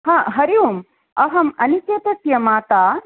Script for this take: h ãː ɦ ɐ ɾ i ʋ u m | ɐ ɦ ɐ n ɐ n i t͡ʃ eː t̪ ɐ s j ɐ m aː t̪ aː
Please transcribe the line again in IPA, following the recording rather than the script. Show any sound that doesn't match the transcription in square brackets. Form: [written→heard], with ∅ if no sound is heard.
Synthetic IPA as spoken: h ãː ɦ ɐ ɾ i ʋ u m | ɐ ɦ ɐ [n→m] ɐ n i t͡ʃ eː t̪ ɐ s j ɐ m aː t̪ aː